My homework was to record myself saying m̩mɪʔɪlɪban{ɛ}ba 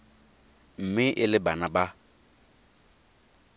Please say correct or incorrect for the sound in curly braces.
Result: incorrect: a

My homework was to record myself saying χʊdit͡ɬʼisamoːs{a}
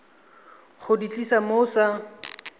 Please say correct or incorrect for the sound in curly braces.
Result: correct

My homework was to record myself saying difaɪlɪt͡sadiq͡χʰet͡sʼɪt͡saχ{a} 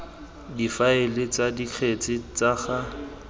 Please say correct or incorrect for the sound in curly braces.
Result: correct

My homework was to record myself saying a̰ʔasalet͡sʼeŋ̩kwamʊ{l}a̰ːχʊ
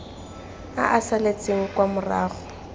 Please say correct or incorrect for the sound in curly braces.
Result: incorrect: r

